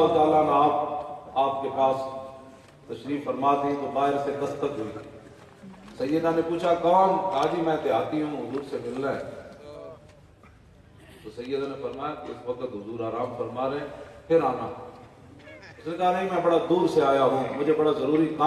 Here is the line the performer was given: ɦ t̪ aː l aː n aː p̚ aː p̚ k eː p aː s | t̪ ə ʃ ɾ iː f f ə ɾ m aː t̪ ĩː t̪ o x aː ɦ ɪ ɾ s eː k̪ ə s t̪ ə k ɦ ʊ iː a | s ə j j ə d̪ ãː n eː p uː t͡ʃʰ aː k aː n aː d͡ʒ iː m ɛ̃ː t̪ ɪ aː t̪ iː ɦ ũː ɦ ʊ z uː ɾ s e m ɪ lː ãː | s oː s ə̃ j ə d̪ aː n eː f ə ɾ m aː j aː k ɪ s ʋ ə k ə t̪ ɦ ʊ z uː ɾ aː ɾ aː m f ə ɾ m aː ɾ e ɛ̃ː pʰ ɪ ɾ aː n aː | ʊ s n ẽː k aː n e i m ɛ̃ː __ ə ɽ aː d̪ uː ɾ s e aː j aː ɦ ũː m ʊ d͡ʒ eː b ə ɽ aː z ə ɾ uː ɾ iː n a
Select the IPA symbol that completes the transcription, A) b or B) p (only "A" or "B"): A